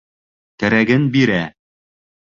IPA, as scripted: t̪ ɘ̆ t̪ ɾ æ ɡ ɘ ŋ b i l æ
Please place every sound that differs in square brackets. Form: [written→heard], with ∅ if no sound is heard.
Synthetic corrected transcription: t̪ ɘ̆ [t̪→∅] ɾ æ ɡ ɘ [ŋ→n] b i [l→ɾ] æ